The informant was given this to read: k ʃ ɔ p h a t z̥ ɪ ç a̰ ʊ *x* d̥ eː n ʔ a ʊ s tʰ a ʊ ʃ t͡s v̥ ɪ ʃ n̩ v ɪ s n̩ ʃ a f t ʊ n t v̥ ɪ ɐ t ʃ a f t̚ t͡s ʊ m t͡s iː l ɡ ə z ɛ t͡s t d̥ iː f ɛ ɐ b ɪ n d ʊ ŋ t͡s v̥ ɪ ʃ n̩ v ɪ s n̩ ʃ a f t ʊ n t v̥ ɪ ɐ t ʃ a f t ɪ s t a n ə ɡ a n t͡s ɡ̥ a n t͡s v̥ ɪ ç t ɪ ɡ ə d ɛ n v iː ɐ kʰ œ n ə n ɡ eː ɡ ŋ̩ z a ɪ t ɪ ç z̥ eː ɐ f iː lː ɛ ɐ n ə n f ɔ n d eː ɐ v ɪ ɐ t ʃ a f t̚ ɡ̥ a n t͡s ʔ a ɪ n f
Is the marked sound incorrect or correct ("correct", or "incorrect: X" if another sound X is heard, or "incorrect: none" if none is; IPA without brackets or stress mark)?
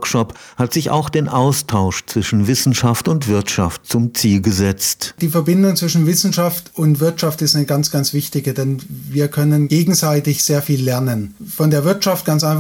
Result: correct